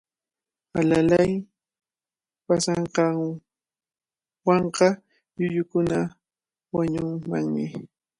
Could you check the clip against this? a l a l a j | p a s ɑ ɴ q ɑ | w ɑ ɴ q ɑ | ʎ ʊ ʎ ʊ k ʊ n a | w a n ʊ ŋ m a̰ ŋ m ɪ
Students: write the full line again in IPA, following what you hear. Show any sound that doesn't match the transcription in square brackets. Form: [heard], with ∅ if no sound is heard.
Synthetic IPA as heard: a l a l a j | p a s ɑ ɴ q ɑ | w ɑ ɴ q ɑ | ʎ ʊ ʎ ʊ k ʊ n a | w a [ɲ] ʊ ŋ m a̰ ŋ m ɪ